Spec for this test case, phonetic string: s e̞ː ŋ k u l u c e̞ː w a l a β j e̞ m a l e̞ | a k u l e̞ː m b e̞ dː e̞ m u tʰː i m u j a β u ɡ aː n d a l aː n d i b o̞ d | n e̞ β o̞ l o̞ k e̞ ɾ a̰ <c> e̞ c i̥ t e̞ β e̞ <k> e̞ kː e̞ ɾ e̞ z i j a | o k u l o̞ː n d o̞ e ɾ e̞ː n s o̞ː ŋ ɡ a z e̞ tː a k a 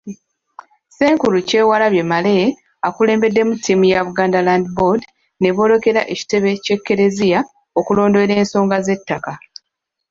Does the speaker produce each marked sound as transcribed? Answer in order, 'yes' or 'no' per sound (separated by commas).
no, no